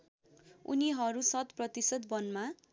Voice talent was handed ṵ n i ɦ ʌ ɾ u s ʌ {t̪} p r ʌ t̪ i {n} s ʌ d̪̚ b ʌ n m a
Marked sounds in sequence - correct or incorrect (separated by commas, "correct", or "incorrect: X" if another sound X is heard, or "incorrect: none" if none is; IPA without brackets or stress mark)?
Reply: correct, incorrect: none